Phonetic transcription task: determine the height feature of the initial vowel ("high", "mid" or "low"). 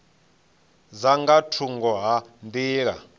low